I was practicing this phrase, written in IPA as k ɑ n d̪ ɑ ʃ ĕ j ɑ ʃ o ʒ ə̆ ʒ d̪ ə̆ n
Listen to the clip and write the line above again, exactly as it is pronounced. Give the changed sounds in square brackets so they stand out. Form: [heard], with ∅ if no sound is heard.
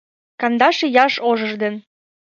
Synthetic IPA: k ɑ n d̪ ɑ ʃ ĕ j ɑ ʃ o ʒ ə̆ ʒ d̪ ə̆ n